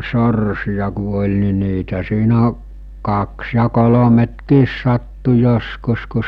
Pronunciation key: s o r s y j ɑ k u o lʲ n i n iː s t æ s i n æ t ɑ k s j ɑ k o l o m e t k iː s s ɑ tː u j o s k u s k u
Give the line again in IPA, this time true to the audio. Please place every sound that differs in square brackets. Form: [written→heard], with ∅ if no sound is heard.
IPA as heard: s o r s [y→i] j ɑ k u o lʲ n i n iː [s→∅] t æ s [i→iː] n æ [t→k] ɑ k s j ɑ k o l o m e t k iː s s ɑ tː u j o s k u s k u